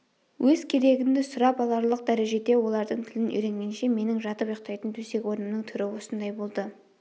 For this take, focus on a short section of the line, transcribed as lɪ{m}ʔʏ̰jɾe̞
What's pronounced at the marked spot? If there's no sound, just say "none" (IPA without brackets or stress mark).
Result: n